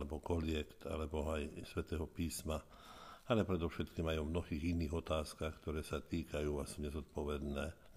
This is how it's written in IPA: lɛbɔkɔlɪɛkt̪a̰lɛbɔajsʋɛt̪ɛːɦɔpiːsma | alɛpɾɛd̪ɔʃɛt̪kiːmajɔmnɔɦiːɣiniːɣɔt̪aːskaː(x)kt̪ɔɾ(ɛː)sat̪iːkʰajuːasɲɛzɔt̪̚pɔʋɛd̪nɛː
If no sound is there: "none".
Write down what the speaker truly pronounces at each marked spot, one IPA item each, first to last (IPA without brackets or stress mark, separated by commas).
x, ɛː